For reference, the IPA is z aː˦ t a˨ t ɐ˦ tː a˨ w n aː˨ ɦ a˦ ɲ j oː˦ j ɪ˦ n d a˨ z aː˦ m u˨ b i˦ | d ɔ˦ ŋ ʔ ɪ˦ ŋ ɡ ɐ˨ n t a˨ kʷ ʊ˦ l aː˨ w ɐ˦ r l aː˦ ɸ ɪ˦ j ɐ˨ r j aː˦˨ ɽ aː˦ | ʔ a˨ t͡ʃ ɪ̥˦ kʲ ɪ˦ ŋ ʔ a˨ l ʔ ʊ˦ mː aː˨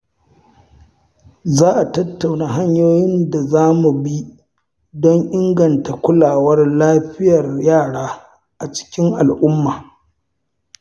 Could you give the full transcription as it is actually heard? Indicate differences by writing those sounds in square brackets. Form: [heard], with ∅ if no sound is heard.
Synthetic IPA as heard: z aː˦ [ʔ] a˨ t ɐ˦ tː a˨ w n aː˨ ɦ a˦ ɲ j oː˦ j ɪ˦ n d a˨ z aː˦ m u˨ b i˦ | d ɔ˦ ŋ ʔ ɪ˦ ŋ ɡ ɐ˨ n t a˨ kʷ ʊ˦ l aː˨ w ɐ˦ r l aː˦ ɸ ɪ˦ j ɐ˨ r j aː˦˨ ɽ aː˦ | ʔ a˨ t͡ʃ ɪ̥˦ kʲ ɪ˦ ŋ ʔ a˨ l ʔ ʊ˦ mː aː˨